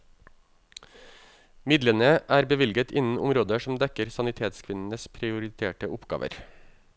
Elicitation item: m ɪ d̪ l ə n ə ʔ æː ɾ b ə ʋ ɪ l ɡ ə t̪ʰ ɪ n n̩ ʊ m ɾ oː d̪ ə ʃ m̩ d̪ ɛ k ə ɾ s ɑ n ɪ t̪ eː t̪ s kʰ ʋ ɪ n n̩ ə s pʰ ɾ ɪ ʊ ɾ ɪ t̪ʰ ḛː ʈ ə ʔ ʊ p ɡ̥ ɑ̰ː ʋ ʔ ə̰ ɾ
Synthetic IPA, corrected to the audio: m ɪ d̪ l ə n ə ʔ æː ɾ b ə ʋ ɪ l ɡ ə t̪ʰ ɪ n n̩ ʊ m ɾ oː d̪ ə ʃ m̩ d̪ ɛ k ə ɾ s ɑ n ɪ t̪ʰ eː t̪ s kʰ ʋ ɪ n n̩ ə s pʰ ɾ ɪ ʊ ɾ ɪ t̪ʰ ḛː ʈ ə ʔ ʊ p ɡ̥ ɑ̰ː ʋ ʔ ə̰ ɾ